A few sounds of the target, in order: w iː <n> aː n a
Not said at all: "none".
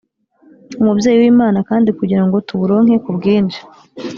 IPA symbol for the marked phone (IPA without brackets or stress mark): m